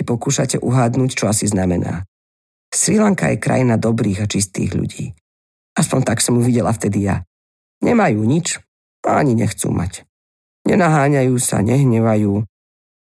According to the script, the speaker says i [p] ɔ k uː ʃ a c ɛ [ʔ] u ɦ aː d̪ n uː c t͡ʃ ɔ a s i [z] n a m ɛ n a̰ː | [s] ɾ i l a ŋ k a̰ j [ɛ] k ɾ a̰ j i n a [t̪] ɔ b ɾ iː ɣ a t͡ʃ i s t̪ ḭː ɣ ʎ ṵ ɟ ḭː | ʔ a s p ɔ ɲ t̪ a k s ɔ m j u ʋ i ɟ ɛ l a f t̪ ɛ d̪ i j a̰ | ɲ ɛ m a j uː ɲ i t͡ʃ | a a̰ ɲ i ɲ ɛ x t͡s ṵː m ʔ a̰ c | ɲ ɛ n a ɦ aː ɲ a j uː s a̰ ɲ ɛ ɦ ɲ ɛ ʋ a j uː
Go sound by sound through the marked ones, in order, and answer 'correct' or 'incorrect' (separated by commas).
correct, correct, correct, correct, correct, incorrect